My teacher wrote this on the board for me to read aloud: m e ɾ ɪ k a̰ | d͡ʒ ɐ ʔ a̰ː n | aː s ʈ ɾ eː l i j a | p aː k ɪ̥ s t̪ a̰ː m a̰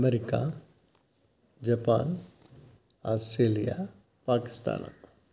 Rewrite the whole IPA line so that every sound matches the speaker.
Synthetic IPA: m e ɾ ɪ k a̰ | d͡ʒ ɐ p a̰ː n | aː s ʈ ɾ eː l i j a | p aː k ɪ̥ s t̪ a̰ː n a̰